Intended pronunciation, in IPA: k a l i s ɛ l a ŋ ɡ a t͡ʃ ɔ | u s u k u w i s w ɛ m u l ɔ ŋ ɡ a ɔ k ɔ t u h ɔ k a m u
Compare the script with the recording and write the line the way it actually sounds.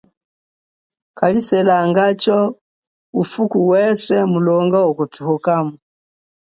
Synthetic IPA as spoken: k a l i s ɛ l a ŋ ɡ a t͡ʃ ɔ | u f u k u w ɛ s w ɛ m u l ɔ ŋ ɡ a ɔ k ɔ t u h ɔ k a m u